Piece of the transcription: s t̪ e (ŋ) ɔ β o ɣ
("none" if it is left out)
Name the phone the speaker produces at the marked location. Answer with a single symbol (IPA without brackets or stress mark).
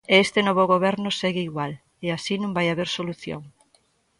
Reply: n